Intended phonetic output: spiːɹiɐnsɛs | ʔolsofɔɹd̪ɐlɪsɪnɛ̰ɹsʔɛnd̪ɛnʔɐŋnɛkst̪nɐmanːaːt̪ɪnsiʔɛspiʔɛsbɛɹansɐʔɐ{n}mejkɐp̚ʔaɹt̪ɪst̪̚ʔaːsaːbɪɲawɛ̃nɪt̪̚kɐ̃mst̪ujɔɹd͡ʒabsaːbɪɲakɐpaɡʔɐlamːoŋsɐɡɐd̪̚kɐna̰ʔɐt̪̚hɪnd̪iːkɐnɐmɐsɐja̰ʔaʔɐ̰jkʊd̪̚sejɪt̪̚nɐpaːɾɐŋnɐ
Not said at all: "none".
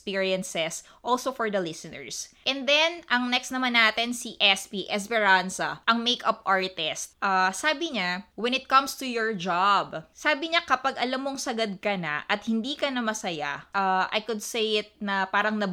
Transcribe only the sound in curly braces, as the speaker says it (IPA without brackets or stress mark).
ŋ